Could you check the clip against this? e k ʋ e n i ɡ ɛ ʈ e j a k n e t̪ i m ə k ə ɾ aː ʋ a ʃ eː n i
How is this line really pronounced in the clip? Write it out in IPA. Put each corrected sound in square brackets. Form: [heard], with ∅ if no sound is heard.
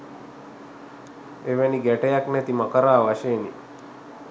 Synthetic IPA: e [∅] ʋ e n i ɡ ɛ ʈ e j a k n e t̪ i m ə k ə ɾ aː ʋ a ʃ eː n i